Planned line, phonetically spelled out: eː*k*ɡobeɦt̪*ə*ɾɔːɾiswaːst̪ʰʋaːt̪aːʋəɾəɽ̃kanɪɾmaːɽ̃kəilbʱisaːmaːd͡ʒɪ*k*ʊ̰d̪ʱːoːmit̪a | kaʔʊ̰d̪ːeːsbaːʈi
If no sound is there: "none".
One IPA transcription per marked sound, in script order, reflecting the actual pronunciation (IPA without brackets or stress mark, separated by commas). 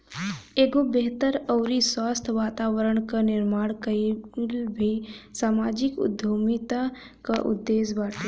none, ə, k